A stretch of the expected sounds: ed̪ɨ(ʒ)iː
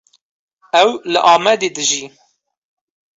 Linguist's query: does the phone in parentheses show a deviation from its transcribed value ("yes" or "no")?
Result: no